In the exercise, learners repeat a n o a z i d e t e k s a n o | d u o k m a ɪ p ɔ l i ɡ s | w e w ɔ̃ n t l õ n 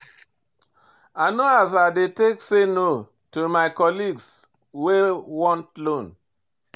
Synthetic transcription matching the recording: a n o a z a d e t e k s e n o | t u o m a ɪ k ɔ l i ɡ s | w e w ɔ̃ n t l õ n